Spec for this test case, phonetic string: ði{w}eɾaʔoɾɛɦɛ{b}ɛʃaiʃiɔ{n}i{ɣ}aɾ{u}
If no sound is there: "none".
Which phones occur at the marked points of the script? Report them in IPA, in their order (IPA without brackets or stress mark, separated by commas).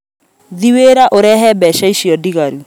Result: w, b, d, ɣ, u